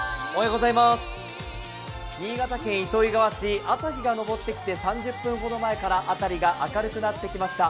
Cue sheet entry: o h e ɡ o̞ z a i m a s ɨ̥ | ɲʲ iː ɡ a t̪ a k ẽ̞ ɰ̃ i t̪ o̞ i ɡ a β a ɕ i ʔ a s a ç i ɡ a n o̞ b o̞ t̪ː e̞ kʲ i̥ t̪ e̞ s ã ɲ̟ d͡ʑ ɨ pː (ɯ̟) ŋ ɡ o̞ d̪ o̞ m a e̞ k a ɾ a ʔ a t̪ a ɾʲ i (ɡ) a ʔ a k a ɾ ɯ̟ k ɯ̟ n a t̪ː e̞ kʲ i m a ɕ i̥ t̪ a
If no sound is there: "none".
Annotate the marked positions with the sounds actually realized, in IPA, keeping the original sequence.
ɯ̟̃, ɡ

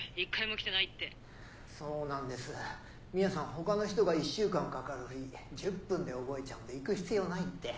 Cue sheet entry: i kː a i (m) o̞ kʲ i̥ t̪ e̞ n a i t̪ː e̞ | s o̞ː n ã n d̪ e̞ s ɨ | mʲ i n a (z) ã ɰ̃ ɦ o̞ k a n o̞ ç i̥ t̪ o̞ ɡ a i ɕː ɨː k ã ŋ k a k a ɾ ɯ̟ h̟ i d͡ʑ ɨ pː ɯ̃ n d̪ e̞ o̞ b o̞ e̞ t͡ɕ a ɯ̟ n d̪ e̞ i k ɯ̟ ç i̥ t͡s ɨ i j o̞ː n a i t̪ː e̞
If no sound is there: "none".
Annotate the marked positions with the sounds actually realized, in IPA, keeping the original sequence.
m, s

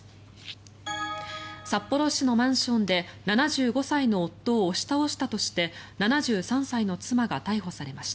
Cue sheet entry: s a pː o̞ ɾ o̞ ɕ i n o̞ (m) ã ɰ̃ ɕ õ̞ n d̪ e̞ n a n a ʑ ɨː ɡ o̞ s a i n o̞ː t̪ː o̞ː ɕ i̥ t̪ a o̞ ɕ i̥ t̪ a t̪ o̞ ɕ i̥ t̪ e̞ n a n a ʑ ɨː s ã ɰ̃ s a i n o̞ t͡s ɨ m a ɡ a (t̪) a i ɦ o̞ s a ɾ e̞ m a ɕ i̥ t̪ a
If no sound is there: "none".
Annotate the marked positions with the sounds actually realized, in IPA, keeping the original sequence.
m, t̪

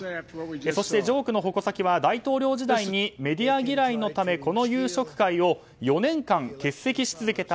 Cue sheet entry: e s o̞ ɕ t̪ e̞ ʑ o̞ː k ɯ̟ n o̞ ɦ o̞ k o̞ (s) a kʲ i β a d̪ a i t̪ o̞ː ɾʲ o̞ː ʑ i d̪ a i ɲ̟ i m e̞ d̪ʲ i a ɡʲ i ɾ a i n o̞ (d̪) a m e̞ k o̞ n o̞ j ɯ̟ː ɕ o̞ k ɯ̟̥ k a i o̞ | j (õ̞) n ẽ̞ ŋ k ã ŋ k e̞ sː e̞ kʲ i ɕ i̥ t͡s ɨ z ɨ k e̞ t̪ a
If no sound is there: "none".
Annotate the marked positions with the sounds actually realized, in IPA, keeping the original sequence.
s, t̪, o̞

